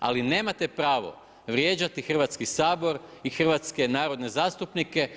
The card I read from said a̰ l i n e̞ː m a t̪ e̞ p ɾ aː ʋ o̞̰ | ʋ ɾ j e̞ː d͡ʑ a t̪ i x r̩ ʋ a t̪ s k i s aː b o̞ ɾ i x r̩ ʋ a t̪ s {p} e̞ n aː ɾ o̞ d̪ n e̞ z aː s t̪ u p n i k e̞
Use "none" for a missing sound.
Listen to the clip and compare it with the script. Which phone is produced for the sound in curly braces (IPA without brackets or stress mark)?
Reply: k